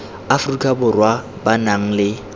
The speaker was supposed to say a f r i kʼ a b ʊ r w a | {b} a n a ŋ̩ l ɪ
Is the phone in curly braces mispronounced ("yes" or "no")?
no